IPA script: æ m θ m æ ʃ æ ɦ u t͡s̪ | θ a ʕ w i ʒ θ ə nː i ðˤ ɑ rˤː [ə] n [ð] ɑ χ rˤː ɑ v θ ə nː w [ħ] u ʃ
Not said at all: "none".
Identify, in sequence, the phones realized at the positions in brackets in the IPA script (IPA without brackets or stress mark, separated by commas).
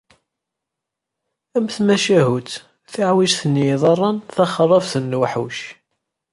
ɑ, θ, ħ